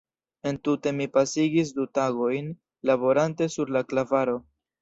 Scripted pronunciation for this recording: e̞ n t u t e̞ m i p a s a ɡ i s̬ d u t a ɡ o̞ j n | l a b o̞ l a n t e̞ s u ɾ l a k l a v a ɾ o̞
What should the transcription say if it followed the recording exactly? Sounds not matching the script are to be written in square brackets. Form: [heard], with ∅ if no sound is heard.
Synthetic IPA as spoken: e̞ n t u t e̞ m i p a s [i] ɡ i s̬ d u t a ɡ o̞ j n | l a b o̞ [ɾ] a n t e̞ s u ɾ l a k l a v a ɾ o̞